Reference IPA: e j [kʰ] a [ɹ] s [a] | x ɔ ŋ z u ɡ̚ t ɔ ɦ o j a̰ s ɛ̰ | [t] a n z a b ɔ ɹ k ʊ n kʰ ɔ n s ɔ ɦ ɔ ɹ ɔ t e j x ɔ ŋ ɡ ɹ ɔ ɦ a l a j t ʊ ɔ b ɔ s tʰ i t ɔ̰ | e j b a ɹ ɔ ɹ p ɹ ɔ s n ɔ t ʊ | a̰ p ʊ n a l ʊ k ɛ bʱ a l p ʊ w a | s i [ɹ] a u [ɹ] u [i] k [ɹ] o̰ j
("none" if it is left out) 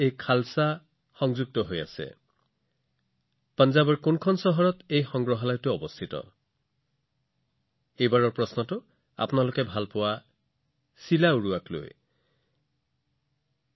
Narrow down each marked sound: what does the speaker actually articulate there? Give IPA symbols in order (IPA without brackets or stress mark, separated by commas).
kʰ, l, a, p, l, ɹ, a, l